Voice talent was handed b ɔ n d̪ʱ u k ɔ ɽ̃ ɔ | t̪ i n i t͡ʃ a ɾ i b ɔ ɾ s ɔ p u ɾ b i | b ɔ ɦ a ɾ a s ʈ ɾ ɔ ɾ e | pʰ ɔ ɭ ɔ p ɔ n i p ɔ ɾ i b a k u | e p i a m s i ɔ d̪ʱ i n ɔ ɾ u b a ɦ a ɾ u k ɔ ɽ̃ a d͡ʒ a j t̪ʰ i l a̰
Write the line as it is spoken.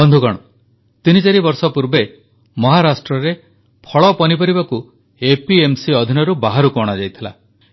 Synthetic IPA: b ɔ n d̪ʱ u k ɔ ɽ̃ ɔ | t̪ i n i t͡ʃ a ɾ i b ɔ ɾ s ɔ p u ɾ b e | m ɔ ɦ a ɾ a s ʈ ɾ ɔ ɾ e | pʰ ɔ ɭ ɔ p ɔ n i p ɔ ɾ i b a k u | e p i e m s i ɔ d̪ʱ i n ɔ ɾ u b a ɦ a ɾ u k ɔ ɽ̃ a d͡ʒ a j t̪ʰ i l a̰